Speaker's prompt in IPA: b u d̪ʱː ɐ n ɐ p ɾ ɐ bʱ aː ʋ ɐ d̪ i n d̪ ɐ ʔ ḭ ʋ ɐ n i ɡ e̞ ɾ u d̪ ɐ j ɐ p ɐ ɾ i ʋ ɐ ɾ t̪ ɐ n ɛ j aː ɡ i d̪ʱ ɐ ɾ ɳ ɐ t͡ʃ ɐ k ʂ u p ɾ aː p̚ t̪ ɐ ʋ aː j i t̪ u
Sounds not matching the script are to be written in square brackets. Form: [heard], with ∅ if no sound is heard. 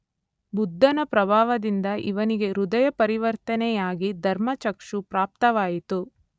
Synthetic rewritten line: b u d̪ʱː ɐ n ɐ p ɾ ɐ bʱ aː ʋ ɐ d̪ i n d̪ ɐ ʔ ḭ ʋ ɐ n i ɡ e̞ ɾ u d̪ ɐ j ɐ p ɐ ɾ i ʋ ɐ ɾ t̪ ɐ n ɛ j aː ɡ i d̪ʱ ɐ ɾ [m] ɐ t͡ʃ ɐ k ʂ u p ɾ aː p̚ t̪ ɐ ʋ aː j i t̪ u